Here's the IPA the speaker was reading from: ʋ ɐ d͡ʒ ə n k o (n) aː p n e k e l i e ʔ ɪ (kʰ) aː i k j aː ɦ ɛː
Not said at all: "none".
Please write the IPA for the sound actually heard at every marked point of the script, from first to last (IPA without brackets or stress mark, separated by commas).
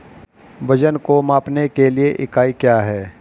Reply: m, k